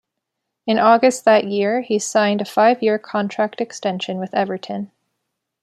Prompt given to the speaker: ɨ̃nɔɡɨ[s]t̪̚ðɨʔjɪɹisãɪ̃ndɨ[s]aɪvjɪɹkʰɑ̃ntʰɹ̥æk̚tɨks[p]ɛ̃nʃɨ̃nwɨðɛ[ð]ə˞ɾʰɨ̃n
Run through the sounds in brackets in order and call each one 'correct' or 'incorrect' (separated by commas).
correct, incorrect, incorrect, incorrect